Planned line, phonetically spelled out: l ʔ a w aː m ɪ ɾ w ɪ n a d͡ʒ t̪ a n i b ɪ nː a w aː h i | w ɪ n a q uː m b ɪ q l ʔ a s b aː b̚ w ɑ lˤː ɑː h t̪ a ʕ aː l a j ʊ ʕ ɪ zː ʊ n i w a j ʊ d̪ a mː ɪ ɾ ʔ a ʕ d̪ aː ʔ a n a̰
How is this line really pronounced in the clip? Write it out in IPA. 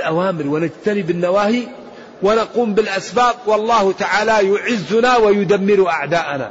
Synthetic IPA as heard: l ʔ a w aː m ɪ ɾ w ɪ n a d͡ʒ t̪ a n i b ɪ nː a w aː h i | w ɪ n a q uː m b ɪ l ʔ a s b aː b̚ w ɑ lˤː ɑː h t̪ a ʕ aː l a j ʊ ʕ ɪ zː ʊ n a w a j ʊ d̪ a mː ɪ ɾ ʔ a ʕ d̪ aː ʔ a n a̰